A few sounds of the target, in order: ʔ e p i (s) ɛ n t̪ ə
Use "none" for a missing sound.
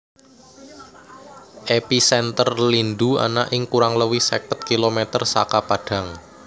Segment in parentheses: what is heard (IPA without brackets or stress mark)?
s